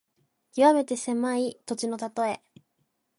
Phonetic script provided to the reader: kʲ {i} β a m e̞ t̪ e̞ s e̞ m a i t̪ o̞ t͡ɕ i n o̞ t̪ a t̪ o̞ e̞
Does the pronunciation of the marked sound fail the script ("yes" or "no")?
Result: no